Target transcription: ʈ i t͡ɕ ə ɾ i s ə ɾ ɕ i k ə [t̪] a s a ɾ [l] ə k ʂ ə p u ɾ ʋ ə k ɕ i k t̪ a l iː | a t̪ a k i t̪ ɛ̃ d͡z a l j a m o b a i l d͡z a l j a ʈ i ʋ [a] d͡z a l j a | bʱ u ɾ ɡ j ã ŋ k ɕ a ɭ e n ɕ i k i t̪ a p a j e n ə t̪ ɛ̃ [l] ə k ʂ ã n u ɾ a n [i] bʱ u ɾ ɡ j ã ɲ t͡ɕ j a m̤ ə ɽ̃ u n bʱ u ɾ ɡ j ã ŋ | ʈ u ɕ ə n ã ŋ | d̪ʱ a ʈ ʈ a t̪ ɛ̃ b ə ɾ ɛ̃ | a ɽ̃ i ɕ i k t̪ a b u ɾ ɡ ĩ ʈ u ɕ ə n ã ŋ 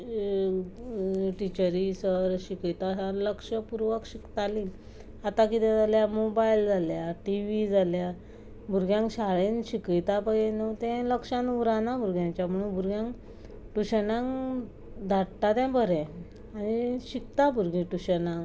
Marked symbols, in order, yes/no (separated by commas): yes, yes, no, yes, no